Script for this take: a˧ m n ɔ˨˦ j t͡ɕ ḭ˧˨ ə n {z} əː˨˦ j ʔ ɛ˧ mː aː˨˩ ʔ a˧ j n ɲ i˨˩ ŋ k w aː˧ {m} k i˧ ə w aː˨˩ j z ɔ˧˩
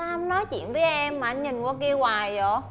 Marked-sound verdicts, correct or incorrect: incorrect: v, incorrect: none

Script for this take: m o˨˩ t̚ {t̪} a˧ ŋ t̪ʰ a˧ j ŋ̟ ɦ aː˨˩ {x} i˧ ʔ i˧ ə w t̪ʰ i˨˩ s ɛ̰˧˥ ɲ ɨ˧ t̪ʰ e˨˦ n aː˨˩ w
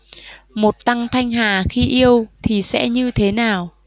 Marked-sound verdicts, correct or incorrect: correct, correct

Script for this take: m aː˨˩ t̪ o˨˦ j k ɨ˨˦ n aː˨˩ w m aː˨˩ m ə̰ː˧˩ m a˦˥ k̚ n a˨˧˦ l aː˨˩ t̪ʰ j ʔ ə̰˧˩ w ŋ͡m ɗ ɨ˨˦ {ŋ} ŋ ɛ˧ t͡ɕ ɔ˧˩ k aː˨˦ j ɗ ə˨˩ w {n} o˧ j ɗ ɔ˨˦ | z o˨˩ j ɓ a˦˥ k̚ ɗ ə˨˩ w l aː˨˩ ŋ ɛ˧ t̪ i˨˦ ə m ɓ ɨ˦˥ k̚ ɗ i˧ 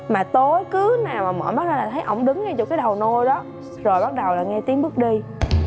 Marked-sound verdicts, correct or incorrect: correct, correct

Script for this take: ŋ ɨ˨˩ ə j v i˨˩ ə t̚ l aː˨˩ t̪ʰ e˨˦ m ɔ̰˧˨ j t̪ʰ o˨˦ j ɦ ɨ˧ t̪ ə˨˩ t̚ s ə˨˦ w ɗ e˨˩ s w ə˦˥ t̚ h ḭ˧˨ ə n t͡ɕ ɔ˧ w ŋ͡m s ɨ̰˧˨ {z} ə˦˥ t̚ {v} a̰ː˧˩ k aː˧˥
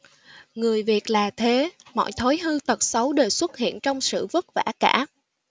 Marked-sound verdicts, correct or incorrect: incorrect: v, correct

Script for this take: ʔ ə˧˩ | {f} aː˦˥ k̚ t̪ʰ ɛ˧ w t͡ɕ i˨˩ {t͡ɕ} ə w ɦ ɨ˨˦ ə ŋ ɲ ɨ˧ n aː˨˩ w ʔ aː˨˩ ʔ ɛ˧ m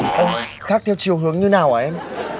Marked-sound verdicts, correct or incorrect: incorrect: x, incorrect: none

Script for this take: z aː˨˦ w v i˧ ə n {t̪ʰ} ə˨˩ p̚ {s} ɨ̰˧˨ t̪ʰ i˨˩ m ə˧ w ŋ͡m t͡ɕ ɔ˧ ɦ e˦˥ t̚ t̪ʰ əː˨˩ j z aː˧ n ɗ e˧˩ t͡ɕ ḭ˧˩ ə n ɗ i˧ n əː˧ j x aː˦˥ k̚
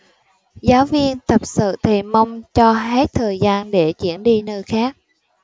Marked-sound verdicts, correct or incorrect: incorrect: t̪, correct

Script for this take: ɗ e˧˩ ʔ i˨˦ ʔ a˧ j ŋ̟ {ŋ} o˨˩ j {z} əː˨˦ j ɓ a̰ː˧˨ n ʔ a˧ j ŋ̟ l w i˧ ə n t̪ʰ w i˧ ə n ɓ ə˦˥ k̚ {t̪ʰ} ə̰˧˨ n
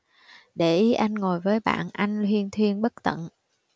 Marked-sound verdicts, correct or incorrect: correct, incorrect: v, incorrect: t̪

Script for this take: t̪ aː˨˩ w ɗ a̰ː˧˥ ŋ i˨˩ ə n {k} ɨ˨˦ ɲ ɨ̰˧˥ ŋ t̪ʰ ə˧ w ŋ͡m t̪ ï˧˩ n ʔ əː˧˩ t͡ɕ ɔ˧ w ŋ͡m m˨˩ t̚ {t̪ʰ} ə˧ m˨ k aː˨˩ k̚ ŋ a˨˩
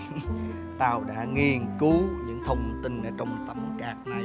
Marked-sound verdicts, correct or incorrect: correct, incorrect: t̪

